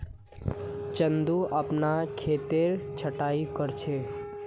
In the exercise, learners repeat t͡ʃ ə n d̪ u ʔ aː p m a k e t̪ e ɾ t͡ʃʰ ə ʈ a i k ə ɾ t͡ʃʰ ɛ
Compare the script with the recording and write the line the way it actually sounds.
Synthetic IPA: t͡ʃ ə n d̪ u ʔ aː p n a kʰ e t̪ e ɾ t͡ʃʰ ə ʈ a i k ə ɾ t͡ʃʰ e